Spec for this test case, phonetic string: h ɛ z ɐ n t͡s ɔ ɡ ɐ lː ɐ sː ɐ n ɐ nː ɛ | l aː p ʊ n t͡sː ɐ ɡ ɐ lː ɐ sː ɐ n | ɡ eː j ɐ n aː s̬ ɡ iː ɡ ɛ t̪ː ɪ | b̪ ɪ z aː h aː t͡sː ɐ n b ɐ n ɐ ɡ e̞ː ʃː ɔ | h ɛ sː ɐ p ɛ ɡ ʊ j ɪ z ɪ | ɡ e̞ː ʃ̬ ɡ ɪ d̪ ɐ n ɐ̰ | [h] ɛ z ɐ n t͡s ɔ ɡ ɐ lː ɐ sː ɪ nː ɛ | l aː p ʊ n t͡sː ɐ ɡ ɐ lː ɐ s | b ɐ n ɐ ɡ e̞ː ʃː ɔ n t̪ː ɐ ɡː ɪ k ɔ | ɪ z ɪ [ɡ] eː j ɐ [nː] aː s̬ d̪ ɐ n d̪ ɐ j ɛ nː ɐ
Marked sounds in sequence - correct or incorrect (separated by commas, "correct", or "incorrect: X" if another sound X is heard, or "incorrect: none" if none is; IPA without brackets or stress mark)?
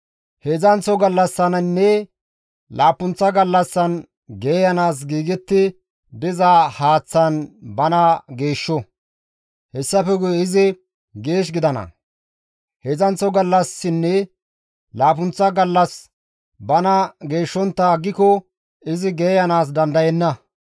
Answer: correct, correct, incorrect: n